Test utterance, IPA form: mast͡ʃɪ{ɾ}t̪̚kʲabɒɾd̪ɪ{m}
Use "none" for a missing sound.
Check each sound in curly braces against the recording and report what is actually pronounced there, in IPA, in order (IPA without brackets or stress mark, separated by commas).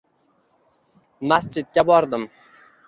none, m